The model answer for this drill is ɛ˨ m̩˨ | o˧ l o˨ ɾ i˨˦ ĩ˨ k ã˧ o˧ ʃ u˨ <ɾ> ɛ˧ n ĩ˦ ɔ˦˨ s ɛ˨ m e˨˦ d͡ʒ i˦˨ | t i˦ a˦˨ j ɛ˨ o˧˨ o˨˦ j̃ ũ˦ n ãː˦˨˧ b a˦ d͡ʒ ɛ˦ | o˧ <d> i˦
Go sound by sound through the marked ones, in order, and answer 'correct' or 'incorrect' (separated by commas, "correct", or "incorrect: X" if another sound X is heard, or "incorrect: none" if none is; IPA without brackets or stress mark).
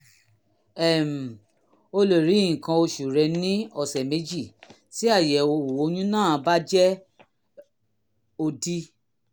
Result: correct, correct